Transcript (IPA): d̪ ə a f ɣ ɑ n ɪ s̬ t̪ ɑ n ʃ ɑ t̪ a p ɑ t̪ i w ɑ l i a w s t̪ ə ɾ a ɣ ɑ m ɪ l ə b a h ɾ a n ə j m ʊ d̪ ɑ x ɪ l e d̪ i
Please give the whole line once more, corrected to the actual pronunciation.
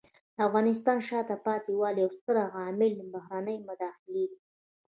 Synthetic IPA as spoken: d̪ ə a f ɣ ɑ n ɪ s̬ t̪ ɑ n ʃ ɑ t̪ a p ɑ t̪ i w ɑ l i a w s t̪ ə ɾ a ɣ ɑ m ɪ l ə b a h ɾ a n ə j m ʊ d̪ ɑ x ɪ l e d̪ i